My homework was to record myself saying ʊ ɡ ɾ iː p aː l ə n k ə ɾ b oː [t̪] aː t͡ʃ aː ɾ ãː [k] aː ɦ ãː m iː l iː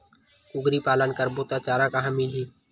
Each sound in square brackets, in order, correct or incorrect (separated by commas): correct, correct